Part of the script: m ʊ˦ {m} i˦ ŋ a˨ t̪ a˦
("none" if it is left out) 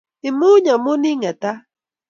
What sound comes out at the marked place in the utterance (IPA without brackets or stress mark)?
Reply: n